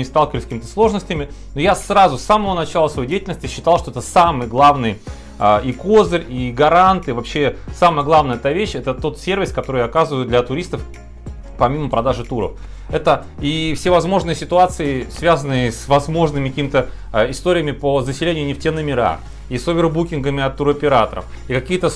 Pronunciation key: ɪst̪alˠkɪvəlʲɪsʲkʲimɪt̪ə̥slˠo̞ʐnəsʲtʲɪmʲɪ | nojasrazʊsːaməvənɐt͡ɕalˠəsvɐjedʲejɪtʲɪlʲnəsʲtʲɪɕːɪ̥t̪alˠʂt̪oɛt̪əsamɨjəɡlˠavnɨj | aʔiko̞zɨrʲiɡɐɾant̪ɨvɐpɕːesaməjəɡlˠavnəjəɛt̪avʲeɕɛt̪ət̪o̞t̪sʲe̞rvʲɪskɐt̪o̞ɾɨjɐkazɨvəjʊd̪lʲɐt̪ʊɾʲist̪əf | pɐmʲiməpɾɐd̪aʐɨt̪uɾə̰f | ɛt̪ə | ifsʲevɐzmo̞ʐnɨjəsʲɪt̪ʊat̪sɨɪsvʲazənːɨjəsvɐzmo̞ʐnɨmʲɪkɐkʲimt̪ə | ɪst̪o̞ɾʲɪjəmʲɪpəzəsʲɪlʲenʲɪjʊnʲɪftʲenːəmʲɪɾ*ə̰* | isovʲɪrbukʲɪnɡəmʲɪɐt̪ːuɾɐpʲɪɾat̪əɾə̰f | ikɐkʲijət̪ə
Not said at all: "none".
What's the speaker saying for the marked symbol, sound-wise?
a̰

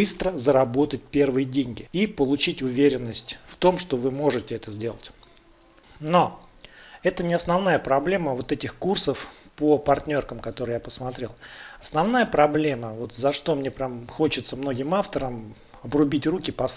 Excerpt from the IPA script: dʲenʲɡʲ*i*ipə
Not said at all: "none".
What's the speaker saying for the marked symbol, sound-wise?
ɪ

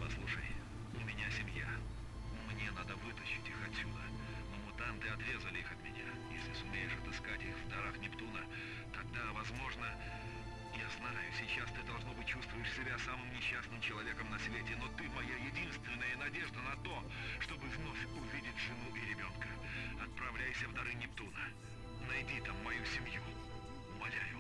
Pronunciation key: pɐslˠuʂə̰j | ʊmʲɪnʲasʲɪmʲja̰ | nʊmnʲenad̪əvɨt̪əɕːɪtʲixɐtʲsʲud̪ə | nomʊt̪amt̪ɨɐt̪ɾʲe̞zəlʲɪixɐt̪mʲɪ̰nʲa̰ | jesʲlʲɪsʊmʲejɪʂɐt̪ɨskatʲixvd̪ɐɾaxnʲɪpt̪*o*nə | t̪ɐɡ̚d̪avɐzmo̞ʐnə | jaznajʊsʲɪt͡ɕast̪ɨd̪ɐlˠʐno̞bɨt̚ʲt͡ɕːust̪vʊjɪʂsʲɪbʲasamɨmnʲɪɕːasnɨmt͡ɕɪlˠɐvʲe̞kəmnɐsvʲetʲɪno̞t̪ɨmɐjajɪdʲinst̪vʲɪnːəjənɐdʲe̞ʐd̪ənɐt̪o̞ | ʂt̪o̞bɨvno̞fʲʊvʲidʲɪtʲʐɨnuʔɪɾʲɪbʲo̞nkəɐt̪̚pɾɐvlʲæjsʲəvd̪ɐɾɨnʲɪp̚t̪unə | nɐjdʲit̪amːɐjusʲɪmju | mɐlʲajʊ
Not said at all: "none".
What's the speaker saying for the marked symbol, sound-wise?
u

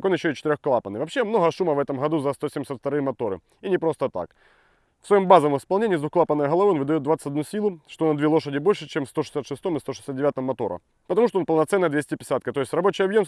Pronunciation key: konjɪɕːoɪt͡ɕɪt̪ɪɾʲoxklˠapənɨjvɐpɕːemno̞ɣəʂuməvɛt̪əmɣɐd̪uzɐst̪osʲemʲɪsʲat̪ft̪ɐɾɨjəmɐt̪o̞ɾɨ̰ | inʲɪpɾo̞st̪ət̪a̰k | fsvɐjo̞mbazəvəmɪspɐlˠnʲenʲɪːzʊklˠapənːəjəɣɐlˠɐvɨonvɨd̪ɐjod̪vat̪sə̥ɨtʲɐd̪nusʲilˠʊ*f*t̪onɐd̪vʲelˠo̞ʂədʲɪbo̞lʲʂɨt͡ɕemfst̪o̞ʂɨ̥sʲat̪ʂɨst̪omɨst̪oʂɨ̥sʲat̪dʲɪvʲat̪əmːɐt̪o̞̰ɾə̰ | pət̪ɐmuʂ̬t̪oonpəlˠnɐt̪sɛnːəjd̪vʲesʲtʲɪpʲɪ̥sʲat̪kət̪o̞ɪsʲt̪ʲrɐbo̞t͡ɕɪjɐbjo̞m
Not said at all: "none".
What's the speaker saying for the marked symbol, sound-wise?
ʂ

